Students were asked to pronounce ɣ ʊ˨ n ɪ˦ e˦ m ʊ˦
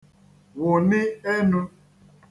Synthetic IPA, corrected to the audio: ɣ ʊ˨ n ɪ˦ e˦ n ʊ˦